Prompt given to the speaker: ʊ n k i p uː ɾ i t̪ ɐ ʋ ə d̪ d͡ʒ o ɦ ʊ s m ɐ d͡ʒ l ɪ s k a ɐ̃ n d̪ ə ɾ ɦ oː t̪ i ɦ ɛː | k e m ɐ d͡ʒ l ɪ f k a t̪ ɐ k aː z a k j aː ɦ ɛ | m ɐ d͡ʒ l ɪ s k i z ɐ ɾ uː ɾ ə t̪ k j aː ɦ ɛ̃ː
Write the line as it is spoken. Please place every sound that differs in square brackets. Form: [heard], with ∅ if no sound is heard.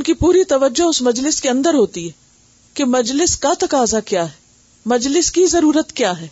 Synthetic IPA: ʊ n k i p uː ɾ i t̪ ɐ ʋ ə [∅] d͡ʒ o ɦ ʊ s m ɐ d͡ʒ l ɪ s k [e] ɐ̃ n d̪ ə ɾ ɦ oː t̪ i ɦ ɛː | k e m ɐ d͡ʒ l ɪ [s] k a t̪ ɐ k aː z a k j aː ɦ ɛ | m ɐ d͡ʒ l ɪ s k i z ɐ ɾ uː ɾ ə t̪ k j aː ɦ [ɛː]